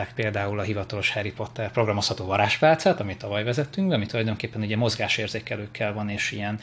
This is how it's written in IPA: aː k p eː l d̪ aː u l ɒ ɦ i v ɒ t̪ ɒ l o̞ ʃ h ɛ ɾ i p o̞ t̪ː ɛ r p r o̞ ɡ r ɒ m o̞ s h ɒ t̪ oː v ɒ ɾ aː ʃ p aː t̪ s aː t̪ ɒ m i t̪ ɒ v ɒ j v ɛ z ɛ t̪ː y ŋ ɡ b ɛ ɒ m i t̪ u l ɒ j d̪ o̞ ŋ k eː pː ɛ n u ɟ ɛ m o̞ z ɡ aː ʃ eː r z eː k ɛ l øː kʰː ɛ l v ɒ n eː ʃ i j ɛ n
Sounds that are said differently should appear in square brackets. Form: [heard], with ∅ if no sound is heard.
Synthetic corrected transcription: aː k p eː l d̪ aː u l ɒ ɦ i v ɒ t̪ ɒ l o̞ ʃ h ɛ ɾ i p o̞ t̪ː ɛ r p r o̞ ɡ r ɒ m o̞ s h ɒ t̪ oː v ɒ ɾ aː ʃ p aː t̪ s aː t̪ ɒ m i t̪ ɒ v ɒ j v ɛ z ɛ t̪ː y ŋ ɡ b ɛ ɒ m i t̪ u l ɒ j d̪ o̞ ŋ k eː pː ɛ n u ɟ ɛ m o̞ z ɡ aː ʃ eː r z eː k ɛ l øː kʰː ɛ l v ɒ n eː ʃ i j ɛ n